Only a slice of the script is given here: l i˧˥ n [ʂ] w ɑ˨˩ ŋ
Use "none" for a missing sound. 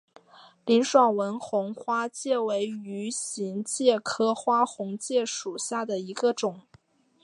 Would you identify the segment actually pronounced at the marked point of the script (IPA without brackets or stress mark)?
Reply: ʂ